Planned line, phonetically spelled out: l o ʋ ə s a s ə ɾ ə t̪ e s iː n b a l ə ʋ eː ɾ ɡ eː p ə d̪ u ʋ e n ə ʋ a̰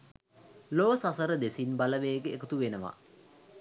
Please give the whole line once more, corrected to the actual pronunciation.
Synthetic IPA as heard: l o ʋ ə s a s ə ɾ ə d̪ e s i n b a l ə ʋ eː ɡ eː k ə t̪ u ʋ e n ə ʋ a̰